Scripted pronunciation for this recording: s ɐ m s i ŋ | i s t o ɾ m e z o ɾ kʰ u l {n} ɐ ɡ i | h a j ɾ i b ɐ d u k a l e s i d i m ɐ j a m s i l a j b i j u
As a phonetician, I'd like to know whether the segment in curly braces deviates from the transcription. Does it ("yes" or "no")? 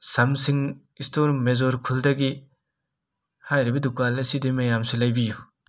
yes